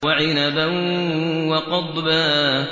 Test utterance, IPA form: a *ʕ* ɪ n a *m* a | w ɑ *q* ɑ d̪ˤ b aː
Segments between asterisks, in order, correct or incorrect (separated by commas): correct, incorrect, correct